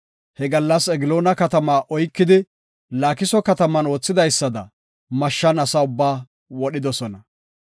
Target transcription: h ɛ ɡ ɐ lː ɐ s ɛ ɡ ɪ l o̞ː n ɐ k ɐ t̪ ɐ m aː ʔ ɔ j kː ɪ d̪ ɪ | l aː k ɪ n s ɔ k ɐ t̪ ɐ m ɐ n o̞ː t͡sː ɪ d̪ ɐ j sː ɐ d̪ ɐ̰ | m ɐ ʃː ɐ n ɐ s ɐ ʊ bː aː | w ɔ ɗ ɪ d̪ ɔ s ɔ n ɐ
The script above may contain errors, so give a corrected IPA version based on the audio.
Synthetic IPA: h ɛ ɡ ɐ lː ɐ s ɛ ɡ ɪ l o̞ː n ɐ k ɐ t̪ ɐ m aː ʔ ɔ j kː ɪ d̪ ɪ | l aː k ɪ s ɔ k ɐ t̪ ɐ m ɐ n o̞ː t͡sː ɪ d̪ ɐ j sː ɐ d̪ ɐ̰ | m ɐ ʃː ɐ n ɐ s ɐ ʊ bː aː | w ɔ ɗ ɪ d̪ ɔ s ɔ n ɐ